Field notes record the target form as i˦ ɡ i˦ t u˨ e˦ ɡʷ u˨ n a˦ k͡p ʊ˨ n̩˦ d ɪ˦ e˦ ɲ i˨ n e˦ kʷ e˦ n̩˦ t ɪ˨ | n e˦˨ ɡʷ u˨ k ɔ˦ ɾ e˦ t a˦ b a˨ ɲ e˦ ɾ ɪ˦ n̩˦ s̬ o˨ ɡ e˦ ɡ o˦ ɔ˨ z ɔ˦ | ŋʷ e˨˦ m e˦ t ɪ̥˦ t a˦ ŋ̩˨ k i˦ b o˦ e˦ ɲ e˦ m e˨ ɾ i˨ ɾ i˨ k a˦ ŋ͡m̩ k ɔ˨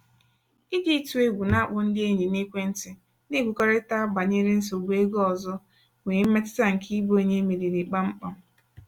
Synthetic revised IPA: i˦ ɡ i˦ t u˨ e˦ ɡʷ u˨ n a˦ k͡p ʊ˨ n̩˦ d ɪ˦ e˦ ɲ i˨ n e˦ kʷ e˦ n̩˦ t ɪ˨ | n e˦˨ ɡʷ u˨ k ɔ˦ ɾ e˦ t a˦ b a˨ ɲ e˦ ɾ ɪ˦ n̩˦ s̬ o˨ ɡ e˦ ɡ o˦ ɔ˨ z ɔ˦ | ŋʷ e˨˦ m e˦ t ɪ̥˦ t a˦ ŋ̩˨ k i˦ b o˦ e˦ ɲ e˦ m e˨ ɾ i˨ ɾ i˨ k͡p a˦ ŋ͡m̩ k͡p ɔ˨